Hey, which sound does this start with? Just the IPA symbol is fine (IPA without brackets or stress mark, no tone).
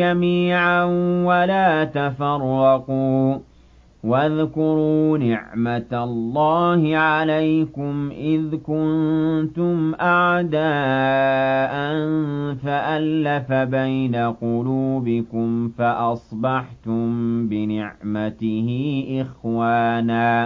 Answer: a